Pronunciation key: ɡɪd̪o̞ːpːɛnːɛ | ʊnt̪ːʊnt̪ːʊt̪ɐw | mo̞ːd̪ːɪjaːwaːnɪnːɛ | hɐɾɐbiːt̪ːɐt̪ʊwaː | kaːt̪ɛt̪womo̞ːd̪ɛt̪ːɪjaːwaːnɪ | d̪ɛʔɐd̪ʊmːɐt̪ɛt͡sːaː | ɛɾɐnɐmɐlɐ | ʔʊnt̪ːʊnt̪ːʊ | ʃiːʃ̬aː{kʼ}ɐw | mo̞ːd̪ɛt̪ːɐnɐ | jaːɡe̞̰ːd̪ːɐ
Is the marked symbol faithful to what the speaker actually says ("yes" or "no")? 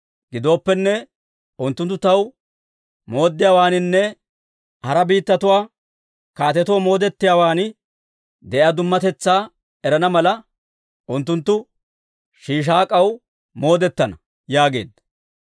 yes